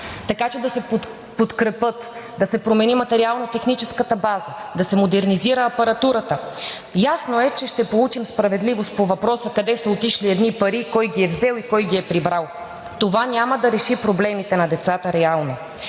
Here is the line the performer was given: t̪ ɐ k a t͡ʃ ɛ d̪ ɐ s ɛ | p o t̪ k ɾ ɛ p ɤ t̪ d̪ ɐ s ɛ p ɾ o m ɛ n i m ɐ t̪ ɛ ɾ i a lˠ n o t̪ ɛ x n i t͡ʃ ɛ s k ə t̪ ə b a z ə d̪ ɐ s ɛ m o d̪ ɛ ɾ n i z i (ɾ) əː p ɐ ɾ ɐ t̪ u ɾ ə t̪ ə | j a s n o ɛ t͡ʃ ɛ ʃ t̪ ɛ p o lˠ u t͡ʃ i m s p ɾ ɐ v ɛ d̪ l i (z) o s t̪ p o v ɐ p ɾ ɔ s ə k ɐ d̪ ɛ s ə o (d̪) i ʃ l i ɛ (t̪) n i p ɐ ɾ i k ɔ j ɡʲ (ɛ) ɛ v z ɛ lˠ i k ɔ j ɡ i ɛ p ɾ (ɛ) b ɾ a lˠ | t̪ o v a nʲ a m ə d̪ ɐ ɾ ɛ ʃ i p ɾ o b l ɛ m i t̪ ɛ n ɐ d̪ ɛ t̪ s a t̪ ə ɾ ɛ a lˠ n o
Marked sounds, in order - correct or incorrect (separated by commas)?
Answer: correct, incorrect, incorrect, incorrect, incorrect, incorrect